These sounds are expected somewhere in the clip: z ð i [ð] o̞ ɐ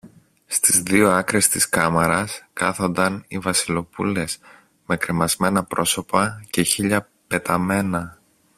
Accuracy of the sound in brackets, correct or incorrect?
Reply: incorrect